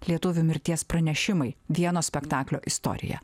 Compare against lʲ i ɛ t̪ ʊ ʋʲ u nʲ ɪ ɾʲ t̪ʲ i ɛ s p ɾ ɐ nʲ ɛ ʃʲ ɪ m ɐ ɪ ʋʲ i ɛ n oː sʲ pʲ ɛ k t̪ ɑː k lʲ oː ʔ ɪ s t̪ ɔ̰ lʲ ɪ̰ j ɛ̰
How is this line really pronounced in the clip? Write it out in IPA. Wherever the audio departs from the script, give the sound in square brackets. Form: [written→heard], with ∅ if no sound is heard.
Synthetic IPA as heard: lʲ i ɛ t̪ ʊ ʋʲ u [nʲ→mʲ] ɪ ɾʲ t̪ʲ i ɛ s p ɾ ɐ nʲ ɛ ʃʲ ɪ m ɐ ɪ ʋʲ i ɛ n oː sʲ pʲ ɛ k t̪ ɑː k lʲ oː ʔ ɪ s t̪ ɔ̰ [lʲ→ɾʲ] ɪ̰ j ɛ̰